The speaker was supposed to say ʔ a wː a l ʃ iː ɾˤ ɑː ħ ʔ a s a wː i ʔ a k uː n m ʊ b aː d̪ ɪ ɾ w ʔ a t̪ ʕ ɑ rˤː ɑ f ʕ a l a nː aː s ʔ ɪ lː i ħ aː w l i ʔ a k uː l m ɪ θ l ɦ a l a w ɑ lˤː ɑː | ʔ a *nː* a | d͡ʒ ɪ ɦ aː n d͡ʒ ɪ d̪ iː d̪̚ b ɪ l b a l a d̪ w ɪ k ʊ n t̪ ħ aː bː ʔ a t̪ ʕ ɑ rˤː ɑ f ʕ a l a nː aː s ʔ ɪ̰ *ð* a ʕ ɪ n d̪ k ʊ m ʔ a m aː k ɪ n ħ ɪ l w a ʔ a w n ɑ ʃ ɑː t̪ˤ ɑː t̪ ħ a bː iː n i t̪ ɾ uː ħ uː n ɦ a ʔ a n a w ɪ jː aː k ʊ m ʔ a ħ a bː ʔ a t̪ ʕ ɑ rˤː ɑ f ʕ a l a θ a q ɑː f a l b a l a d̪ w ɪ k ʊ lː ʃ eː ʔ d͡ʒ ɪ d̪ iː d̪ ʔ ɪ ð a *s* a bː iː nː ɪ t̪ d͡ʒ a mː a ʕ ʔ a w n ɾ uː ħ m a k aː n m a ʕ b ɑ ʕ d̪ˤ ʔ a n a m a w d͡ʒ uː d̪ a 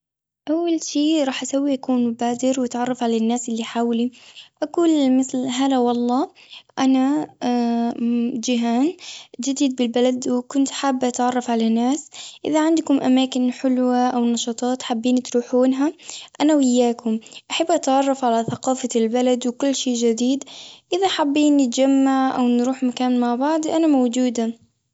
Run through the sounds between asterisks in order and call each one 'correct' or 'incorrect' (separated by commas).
incorrect, correct, incorrect